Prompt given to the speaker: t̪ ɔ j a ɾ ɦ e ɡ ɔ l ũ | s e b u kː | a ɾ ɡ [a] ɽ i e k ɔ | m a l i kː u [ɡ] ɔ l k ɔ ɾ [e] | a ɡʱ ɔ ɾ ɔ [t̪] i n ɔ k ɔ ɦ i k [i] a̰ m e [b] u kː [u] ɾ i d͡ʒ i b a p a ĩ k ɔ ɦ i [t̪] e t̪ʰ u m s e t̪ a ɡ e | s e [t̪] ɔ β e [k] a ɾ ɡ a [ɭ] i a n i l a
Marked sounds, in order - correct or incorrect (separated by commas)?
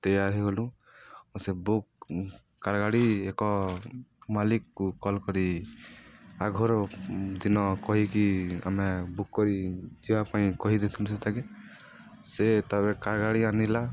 correct, incorrect, incorrect, incorrect, correct, correct, incorrect, incorrect, correct, correct, incorrect